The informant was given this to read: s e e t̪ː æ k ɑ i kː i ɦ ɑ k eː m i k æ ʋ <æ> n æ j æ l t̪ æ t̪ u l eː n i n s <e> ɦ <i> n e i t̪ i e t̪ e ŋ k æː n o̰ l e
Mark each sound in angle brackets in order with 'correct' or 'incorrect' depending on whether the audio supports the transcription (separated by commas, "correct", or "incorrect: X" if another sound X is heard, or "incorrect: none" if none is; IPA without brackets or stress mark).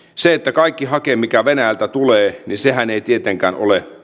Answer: incorrect: e, correct, incorrect: æ